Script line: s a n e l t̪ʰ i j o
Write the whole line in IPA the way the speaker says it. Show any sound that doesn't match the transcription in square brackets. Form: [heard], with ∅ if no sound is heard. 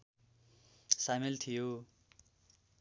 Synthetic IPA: s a [m] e l t̪ʰ i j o

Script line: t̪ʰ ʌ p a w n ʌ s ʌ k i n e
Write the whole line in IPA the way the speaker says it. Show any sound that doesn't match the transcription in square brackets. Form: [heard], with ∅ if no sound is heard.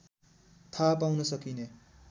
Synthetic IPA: t̪ʰ [a] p a w n ʌ s ʌ k i n e

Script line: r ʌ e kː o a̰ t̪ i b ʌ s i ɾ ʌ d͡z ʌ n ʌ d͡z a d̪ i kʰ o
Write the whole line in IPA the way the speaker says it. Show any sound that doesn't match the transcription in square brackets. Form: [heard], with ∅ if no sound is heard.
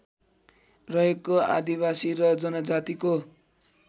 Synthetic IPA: r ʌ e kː o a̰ [d̪] i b [a] s i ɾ ʌ d͡z ʌ n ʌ d͡z a [t̪] i [k] o

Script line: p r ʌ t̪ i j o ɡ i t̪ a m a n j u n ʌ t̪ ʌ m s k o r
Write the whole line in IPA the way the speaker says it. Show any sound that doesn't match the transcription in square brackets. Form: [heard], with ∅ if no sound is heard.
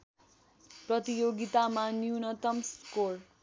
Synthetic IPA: p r ʌ t̪ i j o ɡ i t̪ a m a n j u n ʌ t̪ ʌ m s k o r

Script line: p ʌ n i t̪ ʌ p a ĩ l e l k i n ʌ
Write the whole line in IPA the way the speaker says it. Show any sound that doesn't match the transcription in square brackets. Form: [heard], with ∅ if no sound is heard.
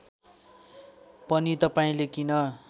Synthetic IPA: p ʌ n i t̪ ʌ p a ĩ l e [∅] k i n ʌ

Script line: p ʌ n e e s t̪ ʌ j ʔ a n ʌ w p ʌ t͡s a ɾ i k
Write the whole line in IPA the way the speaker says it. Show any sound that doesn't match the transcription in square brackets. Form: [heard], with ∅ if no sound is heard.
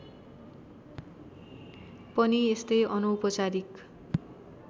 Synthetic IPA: p ʌ n [i] e s t̪ ʌ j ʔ [ʌ] n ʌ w p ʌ t͡s a ɾ i k

